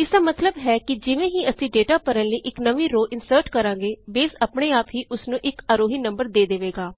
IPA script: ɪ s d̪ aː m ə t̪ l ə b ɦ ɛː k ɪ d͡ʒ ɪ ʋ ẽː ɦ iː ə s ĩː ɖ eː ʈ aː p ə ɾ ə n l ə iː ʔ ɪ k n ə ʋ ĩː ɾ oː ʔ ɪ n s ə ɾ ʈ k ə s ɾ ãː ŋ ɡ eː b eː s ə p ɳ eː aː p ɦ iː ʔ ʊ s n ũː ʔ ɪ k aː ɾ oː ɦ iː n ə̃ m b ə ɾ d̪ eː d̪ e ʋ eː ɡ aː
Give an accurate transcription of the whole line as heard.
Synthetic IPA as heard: ɪ s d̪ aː m ə t̪ l ə b ɦ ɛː k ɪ d͡ʒ ɪ ʋ ẽː ɦ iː ə s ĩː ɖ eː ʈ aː p ə ɾ ə n l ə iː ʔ ɪ k n ə ʋ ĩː ɾ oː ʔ ɪ n s ə ɾ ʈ k ə ɾ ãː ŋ ɡ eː b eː s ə p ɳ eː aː p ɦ iː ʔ ʊ s n ũː ʔ ɪ k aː ɾ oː ɦ iː n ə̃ m b ə ɾ d̪ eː d̪ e ʋ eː ɡ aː

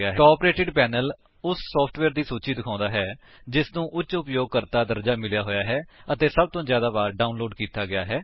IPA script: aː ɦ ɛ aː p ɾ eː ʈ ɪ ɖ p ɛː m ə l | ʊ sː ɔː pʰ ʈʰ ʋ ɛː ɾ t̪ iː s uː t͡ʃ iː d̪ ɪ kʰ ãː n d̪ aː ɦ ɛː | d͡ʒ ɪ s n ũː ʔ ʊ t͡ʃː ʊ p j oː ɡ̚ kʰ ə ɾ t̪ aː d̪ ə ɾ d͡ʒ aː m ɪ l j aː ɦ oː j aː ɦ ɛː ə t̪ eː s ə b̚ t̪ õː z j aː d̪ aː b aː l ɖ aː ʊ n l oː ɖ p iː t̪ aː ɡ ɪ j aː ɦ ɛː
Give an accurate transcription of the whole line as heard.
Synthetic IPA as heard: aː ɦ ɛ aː p ɾ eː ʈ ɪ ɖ p ɛː n ə l | ʊ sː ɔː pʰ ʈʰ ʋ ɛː ɾ d̪ iː s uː t͡ʃ iː d̪ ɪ kʰ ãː n d̪ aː ɦ ɛː | d͡ʒ ɪ s n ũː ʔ ʊ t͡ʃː ʊ p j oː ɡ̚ k ə ɾ t̪ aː d̪ ə ɾ d͡ʒ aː m ɪ l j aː ɦ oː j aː ɦ ɛː ə t̪ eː s ə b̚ t̪ õː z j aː d̪ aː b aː ɾ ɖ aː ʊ n l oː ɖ k iː t̪ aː ɡ ɪ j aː ɦ ɛː

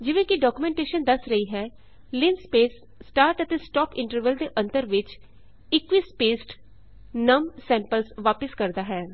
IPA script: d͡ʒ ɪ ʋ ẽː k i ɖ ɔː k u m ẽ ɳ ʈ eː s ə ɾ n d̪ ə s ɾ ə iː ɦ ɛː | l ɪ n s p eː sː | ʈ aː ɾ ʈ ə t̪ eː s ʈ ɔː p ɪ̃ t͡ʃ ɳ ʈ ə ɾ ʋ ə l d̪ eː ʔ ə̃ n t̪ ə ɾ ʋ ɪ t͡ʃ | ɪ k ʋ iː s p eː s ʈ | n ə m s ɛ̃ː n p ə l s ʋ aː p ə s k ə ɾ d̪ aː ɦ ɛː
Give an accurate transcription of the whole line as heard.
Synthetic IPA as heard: d͡ʒ ɪ ʋ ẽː k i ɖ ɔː k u m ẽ ɳ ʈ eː ʃ ə n d̪ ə s ɾ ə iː ɦ ɛː | l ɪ n s p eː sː | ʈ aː ɾ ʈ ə t̪ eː s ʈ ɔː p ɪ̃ ɳ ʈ ə ɾ ʋ ə l d̪ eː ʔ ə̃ n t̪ ə ɾ ʋ ɪ t͡ʃ | ɪ k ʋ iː s p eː s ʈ | n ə m s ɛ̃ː m p ə l s ʋ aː p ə s k ə ɾ d̪ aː ɦ ɛː

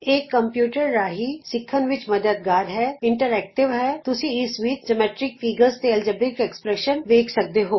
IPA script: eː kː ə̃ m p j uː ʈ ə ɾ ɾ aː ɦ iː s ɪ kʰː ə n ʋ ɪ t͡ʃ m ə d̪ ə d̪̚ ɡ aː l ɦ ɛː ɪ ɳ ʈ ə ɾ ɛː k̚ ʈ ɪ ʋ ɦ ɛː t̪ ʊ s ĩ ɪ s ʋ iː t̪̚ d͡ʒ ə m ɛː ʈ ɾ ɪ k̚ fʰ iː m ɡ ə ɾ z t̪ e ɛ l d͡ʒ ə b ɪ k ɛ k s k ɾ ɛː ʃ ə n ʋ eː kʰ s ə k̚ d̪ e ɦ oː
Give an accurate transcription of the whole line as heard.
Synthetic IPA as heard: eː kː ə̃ m p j uː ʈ ə ɾ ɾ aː ɦ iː s ɪ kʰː ə n ʋ ɪ t͡ʃ m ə d̪ ə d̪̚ ɡ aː ɾ ɦ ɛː ɪ ɳ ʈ ə ɾ ɛː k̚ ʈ ɪ ʋ ɦ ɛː t̪ ʊ s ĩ ɪ s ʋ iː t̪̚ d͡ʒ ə m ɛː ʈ ɾ ɪ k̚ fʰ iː ɡ ə ɾ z t̪ e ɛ l d͡ʒ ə b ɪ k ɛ k s p ɾ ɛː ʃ ə n ʋ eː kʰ s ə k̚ d̪ e ɦ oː

